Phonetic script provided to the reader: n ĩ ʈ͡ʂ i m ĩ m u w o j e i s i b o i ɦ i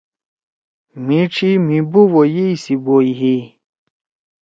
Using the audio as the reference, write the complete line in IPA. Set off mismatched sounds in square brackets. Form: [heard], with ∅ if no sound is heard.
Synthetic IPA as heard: [m] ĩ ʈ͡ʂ i m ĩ [b] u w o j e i s i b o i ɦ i